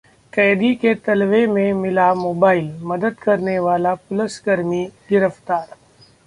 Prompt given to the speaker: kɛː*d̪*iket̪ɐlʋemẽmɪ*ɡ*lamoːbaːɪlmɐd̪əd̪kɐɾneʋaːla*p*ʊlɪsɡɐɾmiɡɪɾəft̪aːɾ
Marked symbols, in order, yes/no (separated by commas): yes, no, yes